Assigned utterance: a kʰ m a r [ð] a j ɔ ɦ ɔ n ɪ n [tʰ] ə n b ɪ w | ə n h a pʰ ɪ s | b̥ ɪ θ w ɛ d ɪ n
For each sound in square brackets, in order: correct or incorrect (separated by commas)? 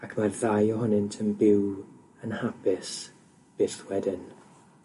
correct, correct